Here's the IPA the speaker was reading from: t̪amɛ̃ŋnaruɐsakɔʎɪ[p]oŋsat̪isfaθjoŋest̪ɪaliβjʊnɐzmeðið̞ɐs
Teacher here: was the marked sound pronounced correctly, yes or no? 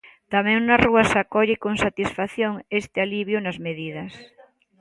no